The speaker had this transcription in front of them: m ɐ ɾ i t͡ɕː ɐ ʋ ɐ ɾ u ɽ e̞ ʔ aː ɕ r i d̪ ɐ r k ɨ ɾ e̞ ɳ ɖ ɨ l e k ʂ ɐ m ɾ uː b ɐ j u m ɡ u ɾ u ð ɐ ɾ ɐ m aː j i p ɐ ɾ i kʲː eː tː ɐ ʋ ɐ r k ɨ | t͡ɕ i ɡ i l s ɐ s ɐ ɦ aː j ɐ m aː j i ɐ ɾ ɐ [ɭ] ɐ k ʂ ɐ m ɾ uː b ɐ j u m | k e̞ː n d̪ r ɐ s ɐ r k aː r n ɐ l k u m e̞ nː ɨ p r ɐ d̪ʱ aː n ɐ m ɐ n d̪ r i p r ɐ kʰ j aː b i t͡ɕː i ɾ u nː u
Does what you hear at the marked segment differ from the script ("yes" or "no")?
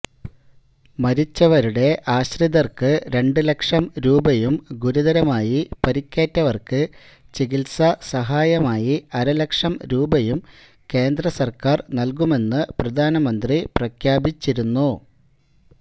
yes